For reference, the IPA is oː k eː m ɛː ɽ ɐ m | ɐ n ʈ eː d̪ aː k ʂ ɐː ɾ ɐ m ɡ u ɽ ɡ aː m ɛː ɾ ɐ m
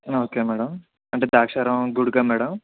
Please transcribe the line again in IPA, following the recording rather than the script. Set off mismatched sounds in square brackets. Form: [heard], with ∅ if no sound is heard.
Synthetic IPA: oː k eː m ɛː ɽ ɐ m | ɐ [ɳ] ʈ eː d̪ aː k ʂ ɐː ɾ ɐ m ɡ u ɽ ɡ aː m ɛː [ɽ] ɐ m